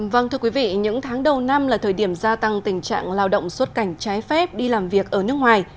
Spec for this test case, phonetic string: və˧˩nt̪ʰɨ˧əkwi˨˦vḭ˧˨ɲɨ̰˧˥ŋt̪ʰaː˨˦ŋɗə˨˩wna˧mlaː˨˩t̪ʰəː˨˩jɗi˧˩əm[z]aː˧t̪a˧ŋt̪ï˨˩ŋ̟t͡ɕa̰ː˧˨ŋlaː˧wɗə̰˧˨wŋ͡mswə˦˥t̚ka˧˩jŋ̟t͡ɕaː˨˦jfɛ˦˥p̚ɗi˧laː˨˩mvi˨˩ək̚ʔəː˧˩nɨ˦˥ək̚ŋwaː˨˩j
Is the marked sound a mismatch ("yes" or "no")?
no